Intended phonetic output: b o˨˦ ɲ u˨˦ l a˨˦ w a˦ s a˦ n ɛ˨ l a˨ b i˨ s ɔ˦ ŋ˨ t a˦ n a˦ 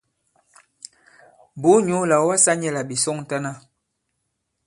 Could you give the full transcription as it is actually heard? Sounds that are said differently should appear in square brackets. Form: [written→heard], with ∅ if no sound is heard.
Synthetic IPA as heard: b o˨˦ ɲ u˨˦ l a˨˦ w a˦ s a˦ [n→ɲ] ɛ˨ l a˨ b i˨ s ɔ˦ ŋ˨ t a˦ n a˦